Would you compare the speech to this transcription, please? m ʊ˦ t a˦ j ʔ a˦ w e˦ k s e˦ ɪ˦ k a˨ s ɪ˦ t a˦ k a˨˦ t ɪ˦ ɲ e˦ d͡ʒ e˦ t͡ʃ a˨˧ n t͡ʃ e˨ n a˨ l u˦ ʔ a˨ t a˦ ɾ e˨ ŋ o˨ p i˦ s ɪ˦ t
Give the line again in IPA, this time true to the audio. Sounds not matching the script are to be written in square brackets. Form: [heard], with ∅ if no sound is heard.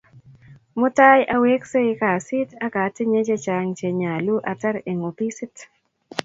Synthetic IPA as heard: m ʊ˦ t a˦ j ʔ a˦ w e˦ k s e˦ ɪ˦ k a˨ s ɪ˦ t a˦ k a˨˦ t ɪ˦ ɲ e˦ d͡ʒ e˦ t͡ʃ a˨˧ [ŋ] t͡ʃ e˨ [ɲ] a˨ l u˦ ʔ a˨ t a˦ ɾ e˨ ŋ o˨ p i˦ s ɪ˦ t